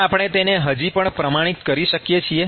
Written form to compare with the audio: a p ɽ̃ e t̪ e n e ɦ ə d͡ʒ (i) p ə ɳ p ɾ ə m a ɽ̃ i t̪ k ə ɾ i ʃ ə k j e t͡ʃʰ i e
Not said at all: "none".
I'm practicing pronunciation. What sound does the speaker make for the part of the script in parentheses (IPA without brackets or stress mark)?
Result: i